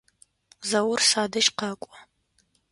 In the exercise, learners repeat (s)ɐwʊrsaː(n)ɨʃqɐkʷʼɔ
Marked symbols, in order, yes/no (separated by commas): no, no